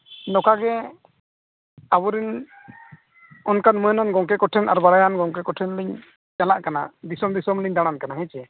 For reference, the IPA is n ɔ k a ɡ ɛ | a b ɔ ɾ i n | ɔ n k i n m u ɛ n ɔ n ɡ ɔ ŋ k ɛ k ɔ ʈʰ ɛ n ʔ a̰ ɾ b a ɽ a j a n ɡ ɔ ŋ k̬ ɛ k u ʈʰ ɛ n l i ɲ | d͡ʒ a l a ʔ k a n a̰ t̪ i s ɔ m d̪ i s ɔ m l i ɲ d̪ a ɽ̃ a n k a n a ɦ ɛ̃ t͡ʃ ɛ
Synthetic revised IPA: n ɔ k a ɡ ɛ | a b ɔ ɾ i n | ɔ n k a n m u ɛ n ɔ n ɡ ɔ ŋ k ɛ k ɔ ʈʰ ɛ n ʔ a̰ ɾ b a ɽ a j a n ɡ ɔ ŋ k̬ ɛ k ɔ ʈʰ ɛ n l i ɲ | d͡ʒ a l a ʔ k a n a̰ d̪ i s ɔ m d̪ i s ɔ m l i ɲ d̪ a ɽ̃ a n k a n a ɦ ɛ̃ t͡ʃ ɛ